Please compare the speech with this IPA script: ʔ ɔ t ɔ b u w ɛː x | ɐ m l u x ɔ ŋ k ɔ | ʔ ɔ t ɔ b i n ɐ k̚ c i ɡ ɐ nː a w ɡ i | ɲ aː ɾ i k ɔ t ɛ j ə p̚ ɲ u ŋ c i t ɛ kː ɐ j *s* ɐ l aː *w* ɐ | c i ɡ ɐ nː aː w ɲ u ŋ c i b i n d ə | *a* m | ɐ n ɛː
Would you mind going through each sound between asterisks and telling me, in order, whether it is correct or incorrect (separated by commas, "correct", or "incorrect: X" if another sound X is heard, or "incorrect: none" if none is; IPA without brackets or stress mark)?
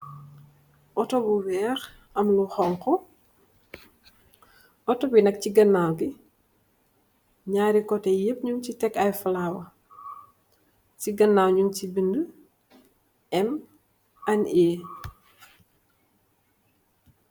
incorrect: f, correct, incorrect: ɛ